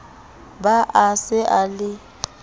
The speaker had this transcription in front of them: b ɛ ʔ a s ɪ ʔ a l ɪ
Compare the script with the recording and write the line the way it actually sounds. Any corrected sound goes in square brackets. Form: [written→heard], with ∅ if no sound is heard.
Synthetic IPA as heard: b [ɛ→a] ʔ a s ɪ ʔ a l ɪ